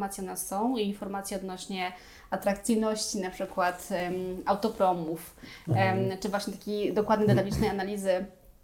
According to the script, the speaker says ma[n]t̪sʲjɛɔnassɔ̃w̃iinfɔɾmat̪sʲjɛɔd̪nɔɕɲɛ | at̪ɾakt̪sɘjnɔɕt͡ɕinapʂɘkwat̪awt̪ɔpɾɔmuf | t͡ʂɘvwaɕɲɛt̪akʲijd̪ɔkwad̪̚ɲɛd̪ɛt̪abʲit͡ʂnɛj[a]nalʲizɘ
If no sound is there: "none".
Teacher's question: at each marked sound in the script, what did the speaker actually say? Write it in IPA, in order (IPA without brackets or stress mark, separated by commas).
none, a